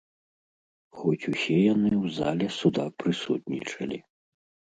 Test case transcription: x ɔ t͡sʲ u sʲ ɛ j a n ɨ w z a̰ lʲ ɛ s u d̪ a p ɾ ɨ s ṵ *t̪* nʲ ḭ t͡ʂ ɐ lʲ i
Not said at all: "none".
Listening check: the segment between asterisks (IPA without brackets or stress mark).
t̪